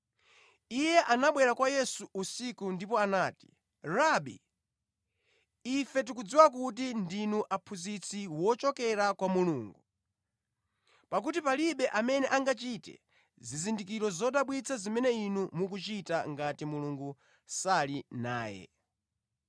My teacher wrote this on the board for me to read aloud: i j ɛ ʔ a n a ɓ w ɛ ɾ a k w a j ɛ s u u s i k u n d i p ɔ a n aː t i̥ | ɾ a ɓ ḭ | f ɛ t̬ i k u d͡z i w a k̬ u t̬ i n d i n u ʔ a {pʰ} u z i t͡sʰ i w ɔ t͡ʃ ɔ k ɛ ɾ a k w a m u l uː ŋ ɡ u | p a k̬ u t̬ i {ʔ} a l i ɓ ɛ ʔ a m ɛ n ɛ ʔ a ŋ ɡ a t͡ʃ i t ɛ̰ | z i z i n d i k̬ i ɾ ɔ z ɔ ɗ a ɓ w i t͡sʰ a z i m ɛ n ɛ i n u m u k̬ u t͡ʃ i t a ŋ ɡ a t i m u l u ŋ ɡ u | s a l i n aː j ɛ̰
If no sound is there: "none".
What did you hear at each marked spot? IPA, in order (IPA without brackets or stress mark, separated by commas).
pʰ, p